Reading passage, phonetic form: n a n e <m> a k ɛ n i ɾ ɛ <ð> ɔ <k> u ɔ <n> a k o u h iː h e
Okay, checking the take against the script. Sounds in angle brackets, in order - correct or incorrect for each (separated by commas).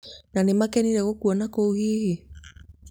correct, incorrect, correct, correct